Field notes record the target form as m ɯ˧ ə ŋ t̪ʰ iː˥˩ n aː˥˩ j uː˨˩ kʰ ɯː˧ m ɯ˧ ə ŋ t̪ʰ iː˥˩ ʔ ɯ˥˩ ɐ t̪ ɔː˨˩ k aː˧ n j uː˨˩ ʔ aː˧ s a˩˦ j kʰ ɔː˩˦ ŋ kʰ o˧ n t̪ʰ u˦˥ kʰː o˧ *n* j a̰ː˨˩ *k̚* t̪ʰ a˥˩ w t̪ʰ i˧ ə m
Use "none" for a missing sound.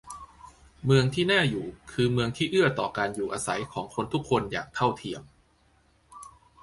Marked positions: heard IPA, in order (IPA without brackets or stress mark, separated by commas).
n, k̚